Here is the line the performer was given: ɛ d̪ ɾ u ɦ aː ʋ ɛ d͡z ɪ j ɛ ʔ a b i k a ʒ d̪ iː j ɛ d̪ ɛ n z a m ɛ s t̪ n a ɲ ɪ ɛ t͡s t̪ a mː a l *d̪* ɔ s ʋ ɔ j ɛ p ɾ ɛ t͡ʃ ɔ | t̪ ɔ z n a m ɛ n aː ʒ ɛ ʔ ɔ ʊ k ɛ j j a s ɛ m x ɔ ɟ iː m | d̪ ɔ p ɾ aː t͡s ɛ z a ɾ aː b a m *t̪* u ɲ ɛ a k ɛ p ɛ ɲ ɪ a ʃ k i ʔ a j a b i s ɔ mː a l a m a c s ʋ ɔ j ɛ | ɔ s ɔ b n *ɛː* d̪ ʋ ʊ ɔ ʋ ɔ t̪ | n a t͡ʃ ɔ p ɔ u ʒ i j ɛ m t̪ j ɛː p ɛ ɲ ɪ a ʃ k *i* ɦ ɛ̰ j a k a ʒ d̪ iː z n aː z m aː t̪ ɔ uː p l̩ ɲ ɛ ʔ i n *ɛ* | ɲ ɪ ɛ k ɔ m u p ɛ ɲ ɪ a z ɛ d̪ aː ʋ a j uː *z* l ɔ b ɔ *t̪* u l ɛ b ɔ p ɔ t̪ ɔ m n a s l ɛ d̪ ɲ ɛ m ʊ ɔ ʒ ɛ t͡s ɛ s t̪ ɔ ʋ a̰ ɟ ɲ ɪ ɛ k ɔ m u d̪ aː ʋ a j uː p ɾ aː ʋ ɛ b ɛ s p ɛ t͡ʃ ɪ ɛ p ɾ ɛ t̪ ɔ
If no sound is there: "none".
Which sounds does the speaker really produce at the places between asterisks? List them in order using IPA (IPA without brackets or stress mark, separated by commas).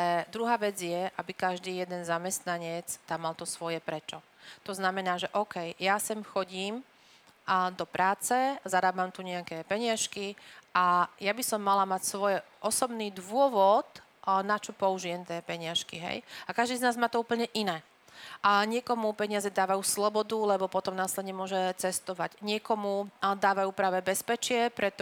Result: t̪, t̪, iː, i, ɛː, s, d̪